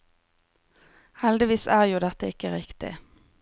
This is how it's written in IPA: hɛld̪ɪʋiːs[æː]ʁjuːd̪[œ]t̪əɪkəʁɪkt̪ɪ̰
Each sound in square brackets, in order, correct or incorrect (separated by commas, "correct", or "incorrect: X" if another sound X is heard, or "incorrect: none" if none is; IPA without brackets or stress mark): correct, incorrect: ɛ